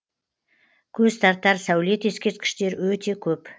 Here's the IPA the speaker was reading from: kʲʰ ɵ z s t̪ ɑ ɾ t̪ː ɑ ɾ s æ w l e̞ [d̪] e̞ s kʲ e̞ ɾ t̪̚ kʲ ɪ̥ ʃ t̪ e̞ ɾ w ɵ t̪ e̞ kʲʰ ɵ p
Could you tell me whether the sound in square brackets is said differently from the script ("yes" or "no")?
yes